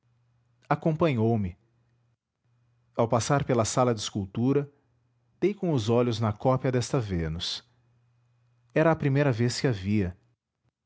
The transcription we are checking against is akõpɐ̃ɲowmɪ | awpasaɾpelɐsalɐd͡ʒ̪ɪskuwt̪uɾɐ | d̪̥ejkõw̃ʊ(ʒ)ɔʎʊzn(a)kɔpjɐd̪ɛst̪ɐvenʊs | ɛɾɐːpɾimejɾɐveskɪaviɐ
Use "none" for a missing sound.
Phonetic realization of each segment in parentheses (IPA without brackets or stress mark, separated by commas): z, ɐ